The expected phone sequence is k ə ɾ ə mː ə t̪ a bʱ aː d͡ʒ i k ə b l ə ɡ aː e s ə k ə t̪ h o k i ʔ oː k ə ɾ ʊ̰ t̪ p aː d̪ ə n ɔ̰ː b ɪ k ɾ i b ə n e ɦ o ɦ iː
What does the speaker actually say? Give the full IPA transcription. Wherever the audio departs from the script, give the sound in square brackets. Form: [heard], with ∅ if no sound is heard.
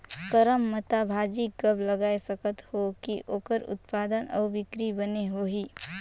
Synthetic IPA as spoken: k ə ɾ ə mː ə t̪ a bʱ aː d͡ʒ i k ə b l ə ɡ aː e s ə k ə t̪ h o k i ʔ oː k ə ɾ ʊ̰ t̪ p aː d̪ ə n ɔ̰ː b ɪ k ɾ i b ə n e ɦ o ɦ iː